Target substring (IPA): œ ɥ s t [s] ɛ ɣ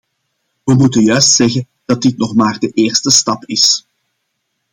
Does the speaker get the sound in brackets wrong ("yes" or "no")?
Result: no